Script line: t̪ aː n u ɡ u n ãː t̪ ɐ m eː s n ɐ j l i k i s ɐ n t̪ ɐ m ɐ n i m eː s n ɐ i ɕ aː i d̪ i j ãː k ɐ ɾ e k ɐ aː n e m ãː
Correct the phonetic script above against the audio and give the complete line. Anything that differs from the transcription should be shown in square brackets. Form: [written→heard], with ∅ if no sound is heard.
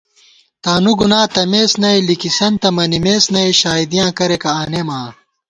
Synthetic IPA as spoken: t̪ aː n u ɡ u n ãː t̪ ɐ m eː s n ɐ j l i k i s ɐ n t̪ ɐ m ɐ n i m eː s n ɐ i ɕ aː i d̪ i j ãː k ɐ ɾ e k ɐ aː n e m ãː

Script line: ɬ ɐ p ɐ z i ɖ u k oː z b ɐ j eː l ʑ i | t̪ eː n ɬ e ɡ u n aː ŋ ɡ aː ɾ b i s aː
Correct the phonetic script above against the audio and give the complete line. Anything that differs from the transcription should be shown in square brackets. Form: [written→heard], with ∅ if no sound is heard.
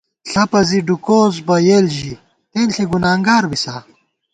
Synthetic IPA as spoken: ɬ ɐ p ɐ z i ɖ u k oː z b ɐ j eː l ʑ i | t̪ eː n ɬ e ɡ u n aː ŋ ɡ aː ɾ b i s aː

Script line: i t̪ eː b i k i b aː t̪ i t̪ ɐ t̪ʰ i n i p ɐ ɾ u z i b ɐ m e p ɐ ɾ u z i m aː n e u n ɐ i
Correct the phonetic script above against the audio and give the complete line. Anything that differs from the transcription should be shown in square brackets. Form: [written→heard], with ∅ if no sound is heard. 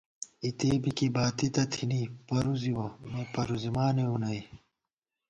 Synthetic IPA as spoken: i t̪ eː b i k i b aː t̪ i t̪ ɐ t̪ʰ i n i p ɐ ɾ u z i [b→w] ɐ m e p ɐ ɾ u z i m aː n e u n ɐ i

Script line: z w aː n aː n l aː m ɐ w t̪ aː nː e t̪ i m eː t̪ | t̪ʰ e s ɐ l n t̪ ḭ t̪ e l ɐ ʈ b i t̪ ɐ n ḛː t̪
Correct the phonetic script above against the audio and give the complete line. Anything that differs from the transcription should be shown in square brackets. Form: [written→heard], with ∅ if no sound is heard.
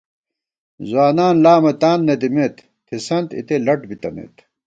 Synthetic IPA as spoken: z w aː n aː n l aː m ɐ [w→∅] t̪ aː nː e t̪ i m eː t̪ | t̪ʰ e s ɐ [l→∅] n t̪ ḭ t̪ e l ɐ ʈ b i t̪ ɐ n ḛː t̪

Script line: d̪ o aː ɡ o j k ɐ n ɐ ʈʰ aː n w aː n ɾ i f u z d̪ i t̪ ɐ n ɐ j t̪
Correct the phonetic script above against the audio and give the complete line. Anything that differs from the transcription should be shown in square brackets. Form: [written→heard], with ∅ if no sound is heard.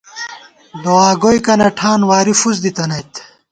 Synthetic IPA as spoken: d̪ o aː ɡ o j k ɐ n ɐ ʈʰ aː n w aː [n→∅] ɾ i f u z d̪ i t̪ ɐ n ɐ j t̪

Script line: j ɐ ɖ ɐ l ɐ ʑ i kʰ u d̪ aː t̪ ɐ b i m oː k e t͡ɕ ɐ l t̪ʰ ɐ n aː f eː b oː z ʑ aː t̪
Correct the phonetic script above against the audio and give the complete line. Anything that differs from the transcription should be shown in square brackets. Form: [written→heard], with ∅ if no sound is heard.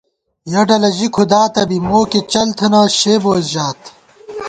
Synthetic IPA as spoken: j ɐ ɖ ɐ l ɐ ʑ i kʰ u d̪ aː t̪ ɐ b i m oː k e t͡ɕ ɐ l t̪ʰ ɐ n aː [f→ɕ] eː b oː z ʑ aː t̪

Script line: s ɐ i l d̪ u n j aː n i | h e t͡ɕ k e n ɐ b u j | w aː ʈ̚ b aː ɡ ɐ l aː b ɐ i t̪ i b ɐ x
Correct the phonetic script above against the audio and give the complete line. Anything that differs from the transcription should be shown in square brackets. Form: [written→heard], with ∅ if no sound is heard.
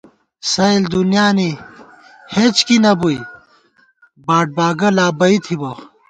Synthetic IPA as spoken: s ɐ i l d̪ u n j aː n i | h e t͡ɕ k [e→i] n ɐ b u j | [w→b] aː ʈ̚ b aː ɡ ɐ l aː b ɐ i [t̪→t̪ʰ] i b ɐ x

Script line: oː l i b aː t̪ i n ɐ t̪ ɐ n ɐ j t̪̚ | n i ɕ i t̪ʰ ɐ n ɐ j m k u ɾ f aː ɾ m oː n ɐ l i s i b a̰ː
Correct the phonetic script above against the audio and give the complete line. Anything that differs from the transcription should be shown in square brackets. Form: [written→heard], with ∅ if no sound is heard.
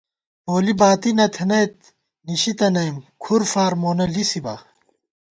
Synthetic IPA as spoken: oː l i b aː t̪ i n ɐ [t̪→t̪ʰ] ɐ n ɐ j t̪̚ | n i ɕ i [t̪ʰ→t̪] ɐ n ɐ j m [k→kʰ] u ɾ f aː ɾ m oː n ɐ l i s i b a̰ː

